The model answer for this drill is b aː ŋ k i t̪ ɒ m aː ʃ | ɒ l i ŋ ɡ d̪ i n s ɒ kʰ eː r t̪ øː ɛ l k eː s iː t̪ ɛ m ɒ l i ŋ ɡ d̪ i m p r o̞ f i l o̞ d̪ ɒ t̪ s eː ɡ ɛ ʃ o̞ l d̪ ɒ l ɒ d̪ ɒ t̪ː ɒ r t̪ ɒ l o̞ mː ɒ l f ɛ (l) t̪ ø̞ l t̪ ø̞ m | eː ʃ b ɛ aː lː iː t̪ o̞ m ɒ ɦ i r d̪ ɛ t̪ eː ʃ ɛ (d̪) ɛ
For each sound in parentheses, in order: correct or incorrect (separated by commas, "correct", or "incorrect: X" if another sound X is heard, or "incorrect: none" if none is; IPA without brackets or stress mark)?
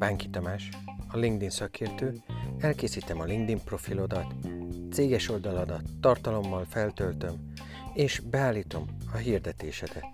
correct, correct